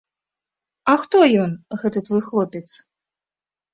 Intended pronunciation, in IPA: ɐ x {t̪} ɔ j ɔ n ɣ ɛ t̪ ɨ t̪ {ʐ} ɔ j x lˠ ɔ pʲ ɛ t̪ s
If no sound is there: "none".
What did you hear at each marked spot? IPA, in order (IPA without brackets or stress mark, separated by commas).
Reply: t̪, v